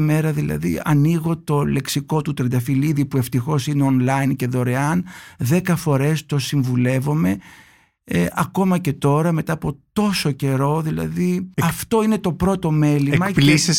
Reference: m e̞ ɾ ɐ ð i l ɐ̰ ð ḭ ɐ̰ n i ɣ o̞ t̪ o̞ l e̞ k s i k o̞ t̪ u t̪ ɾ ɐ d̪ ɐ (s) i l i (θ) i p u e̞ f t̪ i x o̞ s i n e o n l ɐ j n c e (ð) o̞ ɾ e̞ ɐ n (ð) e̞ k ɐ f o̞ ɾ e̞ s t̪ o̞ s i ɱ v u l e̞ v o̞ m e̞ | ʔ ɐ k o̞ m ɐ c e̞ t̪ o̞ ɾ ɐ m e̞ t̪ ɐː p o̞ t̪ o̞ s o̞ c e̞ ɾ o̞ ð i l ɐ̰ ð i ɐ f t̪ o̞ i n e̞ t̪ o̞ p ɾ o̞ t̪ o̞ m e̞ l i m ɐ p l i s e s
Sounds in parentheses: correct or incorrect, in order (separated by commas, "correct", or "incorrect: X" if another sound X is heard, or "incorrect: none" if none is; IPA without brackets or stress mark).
incorrect: f, incorrect: ð, correct, correct